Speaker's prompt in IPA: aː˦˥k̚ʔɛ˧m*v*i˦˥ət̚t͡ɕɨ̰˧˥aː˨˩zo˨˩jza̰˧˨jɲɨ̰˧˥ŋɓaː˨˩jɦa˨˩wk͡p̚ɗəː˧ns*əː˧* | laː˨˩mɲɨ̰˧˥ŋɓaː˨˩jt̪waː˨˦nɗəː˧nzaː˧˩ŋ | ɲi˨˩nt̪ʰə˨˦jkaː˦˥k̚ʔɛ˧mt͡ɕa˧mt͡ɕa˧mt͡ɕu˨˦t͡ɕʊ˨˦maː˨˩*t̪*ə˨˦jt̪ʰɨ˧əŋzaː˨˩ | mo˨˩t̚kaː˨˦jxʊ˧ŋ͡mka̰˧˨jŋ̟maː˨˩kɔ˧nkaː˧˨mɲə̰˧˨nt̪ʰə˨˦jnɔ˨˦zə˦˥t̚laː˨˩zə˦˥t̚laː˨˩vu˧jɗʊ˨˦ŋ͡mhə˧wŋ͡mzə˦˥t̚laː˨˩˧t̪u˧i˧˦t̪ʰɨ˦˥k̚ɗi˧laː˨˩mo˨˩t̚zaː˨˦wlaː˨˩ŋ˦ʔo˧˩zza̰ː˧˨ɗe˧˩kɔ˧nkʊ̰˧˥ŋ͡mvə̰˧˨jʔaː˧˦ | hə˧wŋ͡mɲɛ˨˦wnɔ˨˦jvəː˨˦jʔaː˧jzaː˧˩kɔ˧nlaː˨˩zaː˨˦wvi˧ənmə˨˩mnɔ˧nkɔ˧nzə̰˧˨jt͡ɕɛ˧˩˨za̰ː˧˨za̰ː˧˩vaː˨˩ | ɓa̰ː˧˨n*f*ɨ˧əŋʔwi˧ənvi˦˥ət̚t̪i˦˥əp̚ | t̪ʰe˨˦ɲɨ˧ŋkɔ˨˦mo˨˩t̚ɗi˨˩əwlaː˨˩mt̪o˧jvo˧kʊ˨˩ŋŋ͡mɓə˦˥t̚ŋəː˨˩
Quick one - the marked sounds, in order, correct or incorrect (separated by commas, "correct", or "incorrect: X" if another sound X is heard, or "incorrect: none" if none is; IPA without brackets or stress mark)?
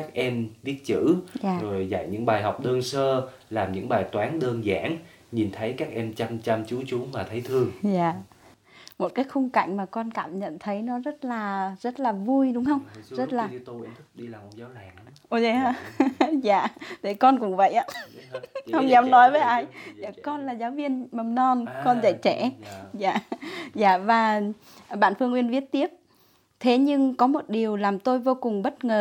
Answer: correct, correct, incorrect: t̪ʰ, correct